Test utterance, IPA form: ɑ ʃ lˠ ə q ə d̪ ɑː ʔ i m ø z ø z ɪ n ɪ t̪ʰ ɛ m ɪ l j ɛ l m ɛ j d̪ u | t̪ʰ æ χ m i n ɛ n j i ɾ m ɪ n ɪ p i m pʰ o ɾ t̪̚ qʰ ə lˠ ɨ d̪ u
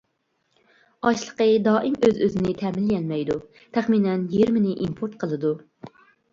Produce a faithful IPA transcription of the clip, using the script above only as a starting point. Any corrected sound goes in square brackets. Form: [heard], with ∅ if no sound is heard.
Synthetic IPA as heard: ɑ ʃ lˠ ə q ə d̪ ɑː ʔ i m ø z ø z ɪ n ɪ t̪ʰ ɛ m ɪ l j ɛ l m ɛ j d̪ u | t̪ʰ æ χ m i n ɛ n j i ɾ m ɪ n ɪ [ʔ] i m pʰ o ɾ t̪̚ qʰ ə lˠ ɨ d̪ u